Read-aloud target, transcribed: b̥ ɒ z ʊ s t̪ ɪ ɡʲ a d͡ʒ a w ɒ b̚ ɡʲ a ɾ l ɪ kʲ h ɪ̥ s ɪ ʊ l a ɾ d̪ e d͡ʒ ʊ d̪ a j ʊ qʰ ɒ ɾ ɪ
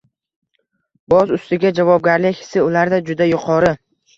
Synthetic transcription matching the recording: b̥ ɒ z ʊ s t̪ ɪ ɡʲ a d͡ʒ a v ɒ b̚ ɡʲ a ɾ l ɪ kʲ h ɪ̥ s ɪ ʊ l a ɾ d̪ a d͡ʒ ʊ d̪ a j ʊ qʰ ɒ ɾ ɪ